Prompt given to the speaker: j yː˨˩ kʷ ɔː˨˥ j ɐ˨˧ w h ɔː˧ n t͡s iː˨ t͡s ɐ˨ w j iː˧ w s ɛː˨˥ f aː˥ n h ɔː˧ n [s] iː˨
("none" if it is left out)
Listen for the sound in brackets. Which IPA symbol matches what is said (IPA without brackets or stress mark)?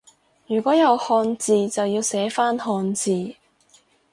t͡s